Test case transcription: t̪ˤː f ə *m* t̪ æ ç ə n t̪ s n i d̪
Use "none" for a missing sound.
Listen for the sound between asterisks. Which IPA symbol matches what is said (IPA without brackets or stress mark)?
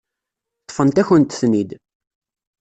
n